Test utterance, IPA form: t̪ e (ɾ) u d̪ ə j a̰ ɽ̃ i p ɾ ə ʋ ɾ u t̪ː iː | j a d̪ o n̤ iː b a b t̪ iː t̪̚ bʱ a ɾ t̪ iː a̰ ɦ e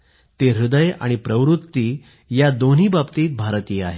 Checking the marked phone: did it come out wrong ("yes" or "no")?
no